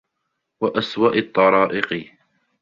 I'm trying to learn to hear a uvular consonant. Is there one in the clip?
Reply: yes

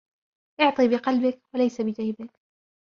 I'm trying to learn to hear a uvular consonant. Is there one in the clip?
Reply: yes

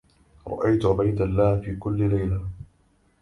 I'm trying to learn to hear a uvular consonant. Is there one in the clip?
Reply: no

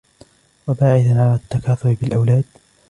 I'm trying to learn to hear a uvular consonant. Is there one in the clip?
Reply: no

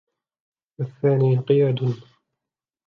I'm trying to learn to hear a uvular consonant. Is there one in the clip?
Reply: yes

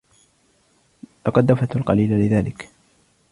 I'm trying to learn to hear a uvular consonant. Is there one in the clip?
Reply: yes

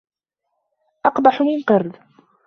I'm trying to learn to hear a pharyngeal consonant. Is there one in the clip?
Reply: yes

